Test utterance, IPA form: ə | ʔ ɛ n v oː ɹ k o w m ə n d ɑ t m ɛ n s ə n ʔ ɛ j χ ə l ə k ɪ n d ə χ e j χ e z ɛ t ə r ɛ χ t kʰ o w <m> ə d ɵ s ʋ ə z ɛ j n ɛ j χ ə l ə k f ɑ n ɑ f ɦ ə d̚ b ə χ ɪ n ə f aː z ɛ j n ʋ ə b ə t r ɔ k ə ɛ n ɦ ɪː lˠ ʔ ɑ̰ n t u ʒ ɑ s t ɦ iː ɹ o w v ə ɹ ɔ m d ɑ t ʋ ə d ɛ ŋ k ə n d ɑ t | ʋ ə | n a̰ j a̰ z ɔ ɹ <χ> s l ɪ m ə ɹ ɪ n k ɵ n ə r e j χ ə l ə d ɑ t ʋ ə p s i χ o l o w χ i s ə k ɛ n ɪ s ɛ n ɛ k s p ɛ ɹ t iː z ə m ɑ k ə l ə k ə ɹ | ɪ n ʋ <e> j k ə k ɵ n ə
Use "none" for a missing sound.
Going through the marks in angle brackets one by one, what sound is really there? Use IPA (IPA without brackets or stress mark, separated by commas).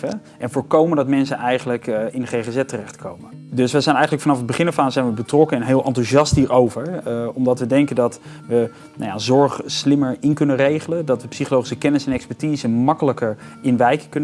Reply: m, χ, ɛ